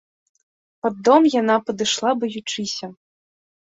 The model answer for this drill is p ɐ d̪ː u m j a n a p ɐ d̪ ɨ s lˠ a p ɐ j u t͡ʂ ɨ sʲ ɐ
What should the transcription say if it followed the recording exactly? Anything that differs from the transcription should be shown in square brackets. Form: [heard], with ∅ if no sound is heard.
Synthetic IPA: p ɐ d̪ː [ɔ] m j a n a p ɐ d̪ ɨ [ʂ] lˠ a [b] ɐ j u t͡ʂ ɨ sʲ ɐ